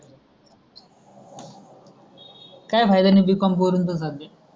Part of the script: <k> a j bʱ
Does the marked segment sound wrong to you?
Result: no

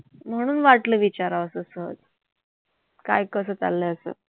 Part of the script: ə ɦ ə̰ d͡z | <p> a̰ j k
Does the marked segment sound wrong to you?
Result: yes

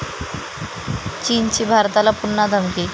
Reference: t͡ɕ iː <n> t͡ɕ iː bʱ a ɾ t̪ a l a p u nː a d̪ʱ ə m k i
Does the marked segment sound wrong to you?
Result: no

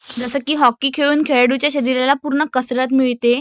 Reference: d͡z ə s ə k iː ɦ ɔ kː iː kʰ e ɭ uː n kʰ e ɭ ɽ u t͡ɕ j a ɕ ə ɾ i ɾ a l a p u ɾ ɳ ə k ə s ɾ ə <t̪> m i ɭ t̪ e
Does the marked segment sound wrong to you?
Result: no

